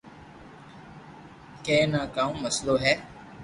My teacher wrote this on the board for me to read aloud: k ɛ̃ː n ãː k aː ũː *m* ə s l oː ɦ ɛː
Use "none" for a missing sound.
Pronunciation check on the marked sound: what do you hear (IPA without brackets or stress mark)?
m